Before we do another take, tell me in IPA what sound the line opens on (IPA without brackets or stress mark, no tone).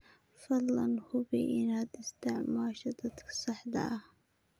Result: f